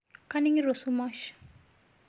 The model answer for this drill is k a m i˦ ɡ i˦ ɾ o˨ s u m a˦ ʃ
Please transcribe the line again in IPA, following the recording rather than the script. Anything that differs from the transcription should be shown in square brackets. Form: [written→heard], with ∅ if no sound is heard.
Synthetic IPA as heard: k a [m→n] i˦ [ɡ→ŋ] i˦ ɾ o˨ s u m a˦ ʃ